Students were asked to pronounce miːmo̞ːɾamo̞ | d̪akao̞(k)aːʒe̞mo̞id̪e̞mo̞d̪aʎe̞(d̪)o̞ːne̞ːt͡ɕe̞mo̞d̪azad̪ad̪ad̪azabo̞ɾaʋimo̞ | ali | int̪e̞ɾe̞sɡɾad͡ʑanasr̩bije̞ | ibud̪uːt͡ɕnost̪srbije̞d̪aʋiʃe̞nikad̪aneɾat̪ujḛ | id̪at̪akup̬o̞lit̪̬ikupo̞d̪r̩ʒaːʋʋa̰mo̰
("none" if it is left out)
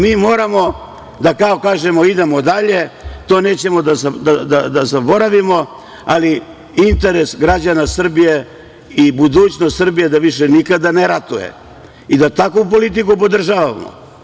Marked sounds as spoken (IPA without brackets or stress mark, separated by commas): k, t̪